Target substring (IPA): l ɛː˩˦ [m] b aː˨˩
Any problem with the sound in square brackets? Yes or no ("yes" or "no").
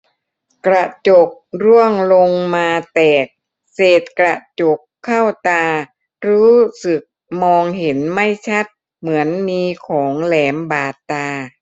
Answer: no